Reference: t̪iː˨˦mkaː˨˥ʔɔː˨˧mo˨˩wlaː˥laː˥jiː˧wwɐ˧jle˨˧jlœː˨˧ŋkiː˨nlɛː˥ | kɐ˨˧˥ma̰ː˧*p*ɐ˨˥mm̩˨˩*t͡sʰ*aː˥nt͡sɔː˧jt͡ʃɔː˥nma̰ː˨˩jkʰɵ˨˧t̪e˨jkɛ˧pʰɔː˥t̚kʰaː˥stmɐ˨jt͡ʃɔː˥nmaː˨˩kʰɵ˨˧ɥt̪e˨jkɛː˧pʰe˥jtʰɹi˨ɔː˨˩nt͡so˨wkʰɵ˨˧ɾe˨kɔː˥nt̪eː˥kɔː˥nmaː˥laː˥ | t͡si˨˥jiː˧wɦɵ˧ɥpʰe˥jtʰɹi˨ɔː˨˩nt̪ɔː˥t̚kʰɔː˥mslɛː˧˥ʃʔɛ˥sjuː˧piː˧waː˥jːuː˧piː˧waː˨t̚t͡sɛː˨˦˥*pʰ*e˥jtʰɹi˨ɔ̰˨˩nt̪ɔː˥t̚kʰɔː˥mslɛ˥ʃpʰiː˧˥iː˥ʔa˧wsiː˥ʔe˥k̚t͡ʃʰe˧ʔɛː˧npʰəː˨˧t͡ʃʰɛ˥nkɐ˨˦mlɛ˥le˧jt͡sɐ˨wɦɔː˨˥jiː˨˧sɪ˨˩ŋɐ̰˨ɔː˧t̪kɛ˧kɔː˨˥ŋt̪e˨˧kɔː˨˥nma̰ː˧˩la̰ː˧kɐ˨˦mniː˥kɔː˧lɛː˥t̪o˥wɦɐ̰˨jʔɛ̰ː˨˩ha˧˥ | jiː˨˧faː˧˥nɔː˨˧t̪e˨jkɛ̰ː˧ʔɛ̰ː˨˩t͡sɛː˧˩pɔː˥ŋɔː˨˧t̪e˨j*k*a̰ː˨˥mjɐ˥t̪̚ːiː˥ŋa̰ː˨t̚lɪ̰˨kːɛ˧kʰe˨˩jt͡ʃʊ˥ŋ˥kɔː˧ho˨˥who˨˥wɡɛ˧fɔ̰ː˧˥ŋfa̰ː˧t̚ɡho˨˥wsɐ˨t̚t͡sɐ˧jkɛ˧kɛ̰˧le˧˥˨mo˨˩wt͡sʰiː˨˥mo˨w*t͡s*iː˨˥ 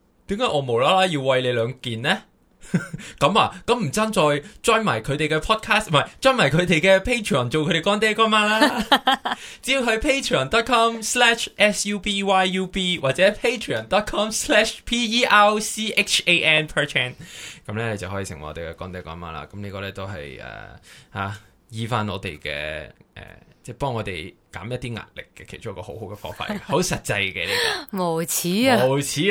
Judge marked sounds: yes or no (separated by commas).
no, no, yes, yes, no